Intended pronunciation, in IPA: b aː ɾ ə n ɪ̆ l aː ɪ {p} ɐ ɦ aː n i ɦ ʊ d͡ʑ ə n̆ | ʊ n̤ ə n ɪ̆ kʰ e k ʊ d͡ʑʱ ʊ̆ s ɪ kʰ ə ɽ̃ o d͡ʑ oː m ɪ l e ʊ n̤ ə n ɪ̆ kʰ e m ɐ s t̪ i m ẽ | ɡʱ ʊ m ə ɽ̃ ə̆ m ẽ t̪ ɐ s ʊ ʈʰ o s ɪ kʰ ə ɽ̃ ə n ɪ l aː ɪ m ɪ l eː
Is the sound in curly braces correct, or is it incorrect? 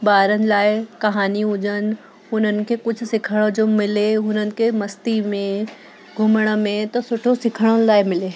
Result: incorrect